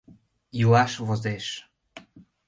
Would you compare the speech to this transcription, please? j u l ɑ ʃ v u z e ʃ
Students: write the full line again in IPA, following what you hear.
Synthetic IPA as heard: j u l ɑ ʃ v o z e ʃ